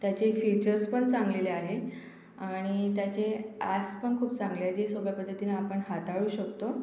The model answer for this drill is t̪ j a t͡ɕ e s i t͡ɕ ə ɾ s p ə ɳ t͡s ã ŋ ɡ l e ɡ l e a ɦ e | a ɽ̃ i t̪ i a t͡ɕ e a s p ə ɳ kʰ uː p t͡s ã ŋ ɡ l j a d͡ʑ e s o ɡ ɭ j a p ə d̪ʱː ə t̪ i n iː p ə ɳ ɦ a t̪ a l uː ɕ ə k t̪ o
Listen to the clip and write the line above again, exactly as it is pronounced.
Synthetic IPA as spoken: t̪ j a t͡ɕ e f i t͡ɕ ə ɾ s p ə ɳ t͡s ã ŋ ɡ l e l e a ɦ e | a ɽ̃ i t̪ j a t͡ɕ e a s p ə ɳ kʰ uː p t͡s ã ŋ ɡ l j a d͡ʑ e s o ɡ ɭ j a p ə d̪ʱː ə t̪ i n aː p ə ɳ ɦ a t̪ a ɭ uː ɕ ə k t̪ o